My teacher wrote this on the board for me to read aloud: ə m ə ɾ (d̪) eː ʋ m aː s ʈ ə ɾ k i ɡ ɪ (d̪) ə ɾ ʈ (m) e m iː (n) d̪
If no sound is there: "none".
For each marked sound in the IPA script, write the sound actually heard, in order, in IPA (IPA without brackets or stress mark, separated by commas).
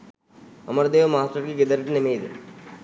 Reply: d̪, d̪, n, none